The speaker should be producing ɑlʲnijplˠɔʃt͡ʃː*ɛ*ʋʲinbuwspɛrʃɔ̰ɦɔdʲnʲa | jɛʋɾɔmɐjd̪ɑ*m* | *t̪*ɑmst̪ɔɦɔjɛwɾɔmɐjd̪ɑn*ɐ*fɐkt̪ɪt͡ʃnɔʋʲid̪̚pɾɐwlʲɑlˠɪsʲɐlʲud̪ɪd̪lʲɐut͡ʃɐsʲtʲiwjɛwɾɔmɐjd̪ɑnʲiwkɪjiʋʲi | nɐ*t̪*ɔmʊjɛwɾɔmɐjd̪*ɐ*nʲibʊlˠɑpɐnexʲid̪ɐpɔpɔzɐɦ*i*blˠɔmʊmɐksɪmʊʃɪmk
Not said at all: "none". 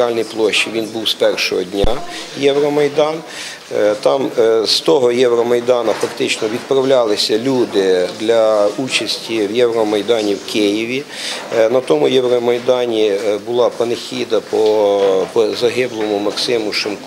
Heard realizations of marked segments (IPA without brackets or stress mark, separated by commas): i, n, t̪, ɐ, t̪, ɑ, ɪ